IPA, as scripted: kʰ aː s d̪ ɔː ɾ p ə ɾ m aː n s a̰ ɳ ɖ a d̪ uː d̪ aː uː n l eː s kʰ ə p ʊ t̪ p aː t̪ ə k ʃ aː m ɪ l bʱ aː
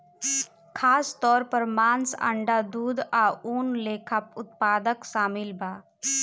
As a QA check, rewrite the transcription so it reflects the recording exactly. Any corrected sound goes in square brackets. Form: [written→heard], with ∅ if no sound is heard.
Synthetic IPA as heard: kʰ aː s [d̪→t̪] ɔː ɾ p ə ɾ m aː n s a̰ ɳ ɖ a d̪ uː d̪ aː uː n l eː [s→∅] kʰ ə p ʊ t̪ p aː [t̪→d̪] ə k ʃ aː m ɪ l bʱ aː